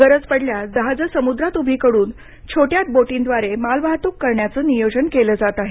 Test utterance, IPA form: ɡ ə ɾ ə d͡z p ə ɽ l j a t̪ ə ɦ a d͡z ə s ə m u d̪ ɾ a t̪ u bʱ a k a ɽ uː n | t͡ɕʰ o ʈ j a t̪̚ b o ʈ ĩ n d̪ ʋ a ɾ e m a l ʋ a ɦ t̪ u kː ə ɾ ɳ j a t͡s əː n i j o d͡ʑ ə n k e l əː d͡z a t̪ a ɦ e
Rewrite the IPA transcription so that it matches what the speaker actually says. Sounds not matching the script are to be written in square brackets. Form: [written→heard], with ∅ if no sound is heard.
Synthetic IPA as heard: ɡ ə ɾ ə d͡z p ə ɽ l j a [t̪→d̪] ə ɦ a d͡z ə s ə m u d̪ ɾ a t̪ u bʱ [a→i] k [a→ə] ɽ uː n | t͡ɕʰ o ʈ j a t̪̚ b o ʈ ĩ n d̪ ʋ a ɾ e m a l ʋ a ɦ t̪ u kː ə ɾ ɳ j a t͡s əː n i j o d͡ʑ ə n k e l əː d͡z a t̪ a ɦ e